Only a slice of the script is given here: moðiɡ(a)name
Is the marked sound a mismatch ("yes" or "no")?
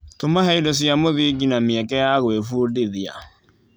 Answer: yes